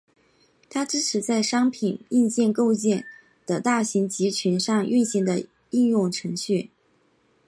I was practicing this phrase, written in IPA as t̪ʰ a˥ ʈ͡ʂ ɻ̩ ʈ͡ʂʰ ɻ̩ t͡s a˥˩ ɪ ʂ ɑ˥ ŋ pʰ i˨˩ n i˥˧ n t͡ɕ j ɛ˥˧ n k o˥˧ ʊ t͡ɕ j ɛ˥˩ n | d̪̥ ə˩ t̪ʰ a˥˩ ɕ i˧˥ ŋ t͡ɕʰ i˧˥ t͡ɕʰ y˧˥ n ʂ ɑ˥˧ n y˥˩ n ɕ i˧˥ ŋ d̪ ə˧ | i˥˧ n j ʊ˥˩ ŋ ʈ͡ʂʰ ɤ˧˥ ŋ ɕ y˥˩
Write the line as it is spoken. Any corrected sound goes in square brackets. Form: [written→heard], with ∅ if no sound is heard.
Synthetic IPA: t̪ʰ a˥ ʈ͡ʂ ɻ̩ ʈ͡ʂʰ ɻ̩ t͡s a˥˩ ɪ ʂ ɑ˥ ŋ pʰ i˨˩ n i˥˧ n t͡ɕ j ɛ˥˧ n k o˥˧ ʊ t͡ɕ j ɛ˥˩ n | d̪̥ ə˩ [t̪ʰ→t̪] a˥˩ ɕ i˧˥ ŋ [t͡ɕʰ→t͡ɕ] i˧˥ t͡ɕʰ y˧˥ n ʂ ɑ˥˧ [n→ŋ] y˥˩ n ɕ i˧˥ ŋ d̪ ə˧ | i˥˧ n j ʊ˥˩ ŋ ʈ͡ʂʰ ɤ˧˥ ŋ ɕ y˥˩